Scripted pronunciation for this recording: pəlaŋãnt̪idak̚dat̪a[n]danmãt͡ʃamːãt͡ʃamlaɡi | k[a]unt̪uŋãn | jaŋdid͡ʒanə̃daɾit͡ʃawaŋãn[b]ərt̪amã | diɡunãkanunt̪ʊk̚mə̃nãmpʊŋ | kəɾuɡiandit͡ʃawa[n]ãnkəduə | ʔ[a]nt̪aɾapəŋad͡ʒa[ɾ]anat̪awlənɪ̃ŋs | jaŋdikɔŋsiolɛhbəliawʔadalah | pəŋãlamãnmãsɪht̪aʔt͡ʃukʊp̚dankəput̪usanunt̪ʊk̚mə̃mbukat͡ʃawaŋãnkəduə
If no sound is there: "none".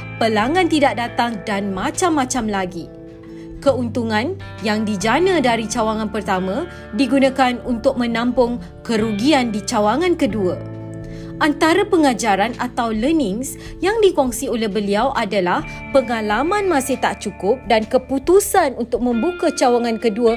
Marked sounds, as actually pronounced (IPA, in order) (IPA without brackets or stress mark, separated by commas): ŋ, ə, p, ŋ, a, ɾ